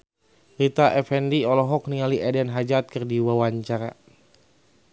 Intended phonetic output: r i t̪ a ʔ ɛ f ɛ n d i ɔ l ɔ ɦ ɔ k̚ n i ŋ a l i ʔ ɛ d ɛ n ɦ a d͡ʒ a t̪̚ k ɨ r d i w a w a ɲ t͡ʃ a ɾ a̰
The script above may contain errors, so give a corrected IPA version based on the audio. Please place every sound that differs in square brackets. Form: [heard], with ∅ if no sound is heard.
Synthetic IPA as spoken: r i t̪ a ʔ ɛ f ɛ n d i ɔ l ɔ ɦ ɔ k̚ n i ŋ a l i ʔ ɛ d ɛ n ɦ a d͡ʒ a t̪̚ k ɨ r d i w a w a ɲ t͡ʃ a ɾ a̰